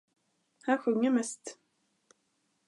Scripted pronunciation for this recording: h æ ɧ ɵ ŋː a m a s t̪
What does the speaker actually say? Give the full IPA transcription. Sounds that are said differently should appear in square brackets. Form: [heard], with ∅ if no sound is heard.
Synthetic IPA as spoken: h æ ɧ ɵ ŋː [ə] m [ɛ] s t̪